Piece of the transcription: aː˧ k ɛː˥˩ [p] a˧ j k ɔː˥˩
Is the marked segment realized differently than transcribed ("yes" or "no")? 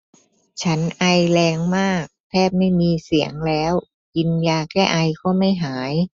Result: yes